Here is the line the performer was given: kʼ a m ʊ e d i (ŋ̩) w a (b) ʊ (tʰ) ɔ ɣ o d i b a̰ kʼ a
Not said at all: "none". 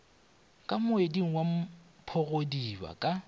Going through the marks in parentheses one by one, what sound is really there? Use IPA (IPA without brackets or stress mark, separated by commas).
ŋ̩, m, pʰ